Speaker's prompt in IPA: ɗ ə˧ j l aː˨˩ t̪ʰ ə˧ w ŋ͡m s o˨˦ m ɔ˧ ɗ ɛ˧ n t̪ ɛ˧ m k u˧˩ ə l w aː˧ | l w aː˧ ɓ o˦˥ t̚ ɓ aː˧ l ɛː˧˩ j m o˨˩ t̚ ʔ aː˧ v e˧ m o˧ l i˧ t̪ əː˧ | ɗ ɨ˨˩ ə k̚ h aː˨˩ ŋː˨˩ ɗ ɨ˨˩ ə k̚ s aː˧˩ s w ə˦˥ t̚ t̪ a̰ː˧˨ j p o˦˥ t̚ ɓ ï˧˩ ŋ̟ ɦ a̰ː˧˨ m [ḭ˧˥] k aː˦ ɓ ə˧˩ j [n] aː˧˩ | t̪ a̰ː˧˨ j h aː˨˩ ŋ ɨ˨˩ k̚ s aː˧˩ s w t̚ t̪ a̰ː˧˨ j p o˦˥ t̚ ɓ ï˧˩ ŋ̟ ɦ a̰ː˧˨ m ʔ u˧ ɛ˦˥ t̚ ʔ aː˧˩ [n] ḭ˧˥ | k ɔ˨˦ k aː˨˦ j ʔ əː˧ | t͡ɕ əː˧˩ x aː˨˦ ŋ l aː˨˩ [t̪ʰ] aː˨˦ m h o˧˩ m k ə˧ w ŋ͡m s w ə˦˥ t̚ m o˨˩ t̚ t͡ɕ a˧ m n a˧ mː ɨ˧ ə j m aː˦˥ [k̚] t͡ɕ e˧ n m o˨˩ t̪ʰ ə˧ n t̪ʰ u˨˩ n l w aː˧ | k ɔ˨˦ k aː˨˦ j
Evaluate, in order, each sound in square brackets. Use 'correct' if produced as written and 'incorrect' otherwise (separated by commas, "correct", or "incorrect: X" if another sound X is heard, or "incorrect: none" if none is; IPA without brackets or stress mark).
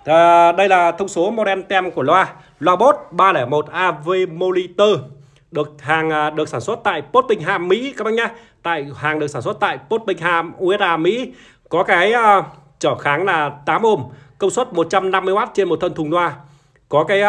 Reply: correct, incorrect: ɲ, incorrect: m, incorrect: t̪, incorrect: t̚